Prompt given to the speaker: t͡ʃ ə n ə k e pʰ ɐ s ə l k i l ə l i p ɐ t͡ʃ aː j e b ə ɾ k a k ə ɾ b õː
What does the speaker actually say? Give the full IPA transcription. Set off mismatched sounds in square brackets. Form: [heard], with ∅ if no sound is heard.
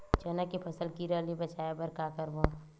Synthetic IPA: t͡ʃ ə n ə k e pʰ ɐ s ə l k i [ɾ] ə l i [b] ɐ t͡ʃ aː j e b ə ɾ k a k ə ɾ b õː